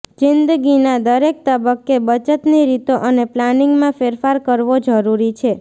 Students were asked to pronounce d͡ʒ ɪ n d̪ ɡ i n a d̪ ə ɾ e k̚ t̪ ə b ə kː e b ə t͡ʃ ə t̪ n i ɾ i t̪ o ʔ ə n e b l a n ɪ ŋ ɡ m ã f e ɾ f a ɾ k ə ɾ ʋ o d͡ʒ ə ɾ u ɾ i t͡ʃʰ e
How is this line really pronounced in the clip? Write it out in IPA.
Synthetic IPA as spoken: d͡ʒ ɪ n d̪ ɡ i n a d̪ ə ɾ e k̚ t̪ ə b ə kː e b ə t͡ʃ ə t̪ n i ɾ i t̪ o ʔ ə n e p l a n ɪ ŋ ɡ m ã f e ɾ f a ɾ k ə ɾ ʋ o d͡ʒ ə ɾ u ɾ i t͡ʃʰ e